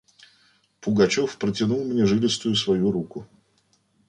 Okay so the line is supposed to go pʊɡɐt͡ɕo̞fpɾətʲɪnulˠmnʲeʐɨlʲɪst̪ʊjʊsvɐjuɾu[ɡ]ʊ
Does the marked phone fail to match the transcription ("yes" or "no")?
yes